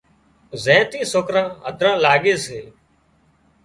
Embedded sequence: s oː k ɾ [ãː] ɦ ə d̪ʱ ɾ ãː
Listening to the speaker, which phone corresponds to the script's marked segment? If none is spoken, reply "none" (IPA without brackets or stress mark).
ãː